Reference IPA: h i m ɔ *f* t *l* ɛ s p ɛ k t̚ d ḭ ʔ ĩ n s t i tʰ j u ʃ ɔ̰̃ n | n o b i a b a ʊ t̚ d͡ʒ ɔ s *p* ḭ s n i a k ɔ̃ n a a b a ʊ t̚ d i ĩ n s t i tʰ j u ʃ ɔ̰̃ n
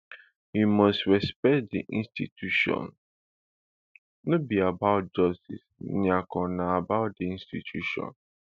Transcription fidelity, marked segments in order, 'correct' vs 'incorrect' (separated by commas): incorrect, incorrect, incorrect